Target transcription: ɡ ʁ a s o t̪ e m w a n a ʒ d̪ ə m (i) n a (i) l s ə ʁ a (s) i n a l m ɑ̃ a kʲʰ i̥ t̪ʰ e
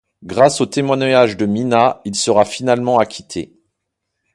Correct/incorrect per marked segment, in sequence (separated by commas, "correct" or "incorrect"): correct, correct, incorrect